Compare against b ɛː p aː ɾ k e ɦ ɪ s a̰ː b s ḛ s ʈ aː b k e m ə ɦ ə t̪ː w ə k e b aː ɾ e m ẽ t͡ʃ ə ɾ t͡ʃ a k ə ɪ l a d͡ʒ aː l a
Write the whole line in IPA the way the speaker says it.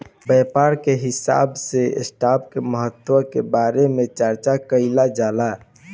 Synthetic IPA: b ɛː p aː ɾ k e ɦ ɪ s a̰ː b s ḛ s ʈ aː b k e m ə ɦ ə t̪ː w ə k e b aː ɾ e m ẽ t͡ʃ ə ɾ t͡ʃ a k ə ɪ l a d͡ʒ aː l a